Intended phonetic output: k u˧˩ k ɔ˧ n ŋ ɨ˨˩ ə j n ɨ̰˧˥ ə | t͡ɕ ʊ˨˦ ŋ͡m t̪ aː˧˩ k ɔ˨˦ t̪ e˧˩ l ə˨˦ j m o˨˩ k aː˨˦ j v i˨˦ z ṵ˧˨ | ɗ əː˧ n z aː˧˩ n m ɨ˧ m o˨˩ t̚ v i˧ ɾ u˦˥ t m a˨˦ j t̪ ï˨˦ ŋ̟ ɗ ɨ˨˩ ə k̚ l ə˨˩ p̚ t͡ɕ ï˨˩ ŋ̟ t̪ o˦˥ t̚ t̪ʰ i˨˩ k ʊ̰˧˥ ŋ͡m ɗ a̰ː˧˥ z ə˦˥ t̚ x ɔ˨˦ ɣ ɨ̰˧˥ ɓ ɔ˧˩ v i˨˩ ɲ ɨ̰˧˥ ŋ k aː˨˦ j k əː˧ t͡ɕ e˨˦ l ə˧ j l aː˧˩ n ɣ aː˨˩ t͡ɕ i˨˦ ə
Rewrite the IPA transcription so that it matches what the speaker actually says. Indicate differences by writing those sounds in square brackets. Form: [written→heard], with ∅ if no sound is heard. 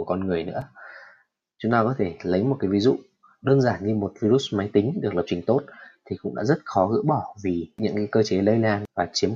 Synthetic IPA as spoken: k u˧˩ k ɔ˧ n ŋ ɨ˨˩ ə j n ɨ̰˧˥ ə | t͡ɕ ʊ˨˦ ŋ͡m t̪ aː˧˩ k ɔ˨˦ [t̪→t̪ʰ] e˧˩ l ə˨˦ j m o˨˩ k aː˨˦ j v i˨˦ z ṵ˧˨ | ɗ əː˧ n z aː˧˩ n [m→ɲ] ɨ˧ m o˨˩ t̚ v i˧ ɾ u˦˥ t m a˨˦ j t̪ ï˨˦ ŋ̟ ɗ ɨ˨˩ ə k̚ l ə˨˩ p̚ t͡ɕ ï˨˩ ŋ̟ t̪ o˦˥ t̚ t̪ʰ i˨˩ k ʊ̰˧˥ ŋ͡m ɗ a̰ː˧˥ z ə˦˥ t̚ x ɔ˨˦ ɣ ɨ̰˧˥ ɓ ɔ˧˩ v i˨˩ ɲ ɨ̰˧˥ ŋ k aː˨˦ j k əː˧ t͡ɕ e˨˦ l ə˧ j l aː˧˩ n [ɣ→v] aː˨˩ t͡ɕ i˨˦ ə